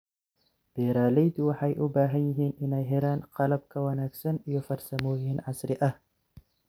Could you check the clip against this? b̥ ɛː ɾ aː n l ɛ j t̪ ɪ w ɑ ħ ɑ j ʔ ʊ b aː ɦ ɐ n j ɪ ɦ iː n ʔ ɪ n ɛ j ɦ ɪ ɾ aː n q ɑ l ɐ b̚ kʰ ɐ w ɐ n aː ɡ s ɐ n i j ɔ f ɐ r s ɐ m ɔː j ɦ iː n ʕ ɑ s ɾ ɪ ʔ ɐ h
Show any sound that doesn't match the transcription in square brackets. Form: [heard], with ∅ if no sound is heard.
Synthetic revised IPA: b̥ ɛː ɾ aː [∅] l ɛ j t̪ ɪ w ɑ ħ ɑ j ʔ ʊ b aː ɦ ɐ n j ɪ ɦ iː n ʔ ɪ n ɛ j ɦ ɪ ɾ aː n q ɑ l ɐ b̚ kʰ ɐ w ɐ n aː ɡ s ɐ n i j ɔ f ɐ r s ɐ m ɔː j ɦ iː n ʕ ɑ s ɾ ɪ ʔ ɐ h